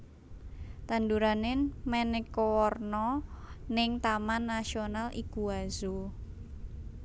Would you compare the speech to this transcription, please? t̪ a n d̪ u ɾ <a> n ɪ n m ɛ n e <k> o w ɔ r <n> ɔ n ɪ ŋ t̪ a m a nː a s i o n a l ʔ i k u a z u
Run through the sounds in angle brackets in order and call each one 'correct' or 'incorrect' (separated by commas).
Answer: correct, correct, correct